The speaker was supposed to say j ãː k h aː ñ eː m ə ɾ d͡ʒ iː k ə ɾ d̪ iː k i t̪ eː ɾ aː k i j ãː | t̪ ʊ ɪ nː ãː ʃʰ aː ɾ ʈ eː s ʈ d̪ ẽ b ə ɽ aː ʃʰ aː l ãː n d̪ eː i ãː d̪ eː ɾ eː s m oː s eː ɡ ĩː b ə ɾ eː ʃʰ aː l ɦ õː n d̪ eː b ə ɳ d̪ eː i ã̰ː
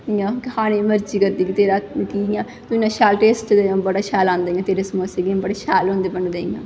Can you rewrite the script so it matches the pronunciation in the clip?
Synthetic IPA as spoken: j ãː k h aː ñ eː m ə ɾ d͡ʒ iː k ə ɾ d̪ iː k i t̪ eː ɾ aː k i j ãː | t̪ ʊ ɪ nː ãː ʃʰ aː l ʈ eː s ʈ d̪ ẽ b ə ɽ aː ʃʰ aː l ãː n d̪ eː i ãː t̪ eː ɾ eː s m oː s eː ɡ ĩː b ə ɽ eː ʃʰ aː l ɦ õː n d̪ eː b ə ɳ d̪ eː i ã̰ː